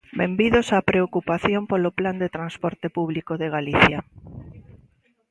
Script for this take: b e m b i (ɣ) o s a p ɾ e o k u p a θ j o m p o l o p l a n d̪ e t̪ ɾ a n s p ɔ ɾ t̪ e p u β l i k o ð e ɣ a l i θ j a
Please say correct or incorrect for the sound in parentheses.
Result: incorrect